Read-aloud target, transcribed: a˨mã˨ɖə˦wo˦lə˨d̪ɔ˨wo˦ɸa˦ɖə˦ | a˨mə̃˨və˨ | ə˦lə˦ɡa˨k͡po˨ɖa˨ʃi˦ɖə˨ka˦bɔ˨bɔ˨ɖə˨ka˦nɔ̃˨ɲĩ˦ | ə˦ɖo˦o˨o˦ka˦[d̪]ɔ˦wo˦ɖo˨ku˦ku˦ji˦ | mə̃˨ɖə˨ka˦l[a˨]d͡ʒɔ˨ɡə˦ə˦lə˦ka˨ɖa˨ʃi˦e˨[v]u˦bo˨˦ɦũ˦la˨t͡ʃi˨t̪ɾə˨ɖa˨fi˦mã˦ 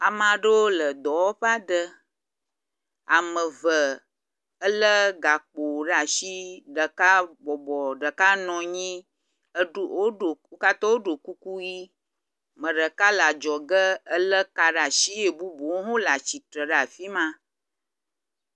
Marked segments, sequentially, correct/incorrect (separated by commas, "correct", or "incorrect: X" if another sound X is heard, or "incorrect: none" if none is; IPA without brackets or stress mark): incorrect: t̪, correct, incorrect: b